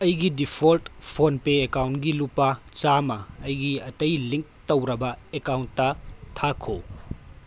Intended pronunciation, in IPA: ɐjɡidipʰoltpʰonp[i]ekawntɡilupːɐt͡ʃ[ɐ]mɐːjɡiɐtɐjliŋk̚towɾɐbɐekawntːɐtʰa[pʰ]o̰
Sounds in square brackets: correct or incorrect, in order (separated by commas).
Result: incorrect, incorrect, incorrect